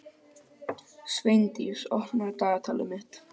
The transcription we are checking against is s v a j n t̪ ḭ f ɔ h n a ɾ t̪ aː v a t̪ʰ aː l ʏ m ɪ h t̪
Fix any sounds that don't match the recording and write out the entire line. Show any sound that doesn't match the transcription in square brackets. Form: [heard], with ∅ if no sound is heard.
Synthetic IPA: s v [e] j n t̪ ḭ [s] ɔ h n a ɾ t̪ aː [ɣ] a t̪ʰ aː l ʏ m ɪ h t̪